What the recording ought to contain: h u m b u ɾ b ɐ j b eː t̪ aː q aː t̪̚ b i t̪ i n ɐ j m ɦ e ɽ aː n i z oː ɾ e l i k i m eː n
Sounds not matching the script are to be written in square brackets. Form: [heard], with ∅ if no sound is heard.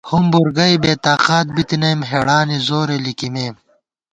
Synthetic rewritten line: h u m b u ɾ [ɡ] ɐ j b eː t̪ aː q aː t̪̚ b i t̪ i n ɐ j m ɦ e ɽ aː n i z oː ɾ e l i k i m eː [m]